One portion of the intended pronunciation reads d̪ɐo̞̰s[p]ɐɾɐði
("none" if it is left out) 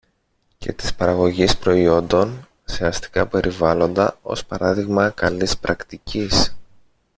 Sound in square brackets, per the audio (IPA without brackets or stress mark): p